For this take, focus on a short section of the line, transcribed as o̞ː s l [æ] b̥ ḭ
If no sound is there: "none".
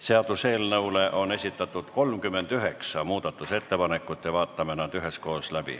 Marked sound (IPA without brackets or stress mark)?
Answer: æ